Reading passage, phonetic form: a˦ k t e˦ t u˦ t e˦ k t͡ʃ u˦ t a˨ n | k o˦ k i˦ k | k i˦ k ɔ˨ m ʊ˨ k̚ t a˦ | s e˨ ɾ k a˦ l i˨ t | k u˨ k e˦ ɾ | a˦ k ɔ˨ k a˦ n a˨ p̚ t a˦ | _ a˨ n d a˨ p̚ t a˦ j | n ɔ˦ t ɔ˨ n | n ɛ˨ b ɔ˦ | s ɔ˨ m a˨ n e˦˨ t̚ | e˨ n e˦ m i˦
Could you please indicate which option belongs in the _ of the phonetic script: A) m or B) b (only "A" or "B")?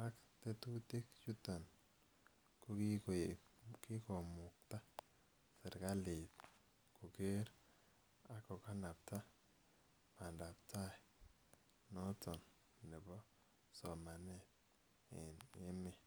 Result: A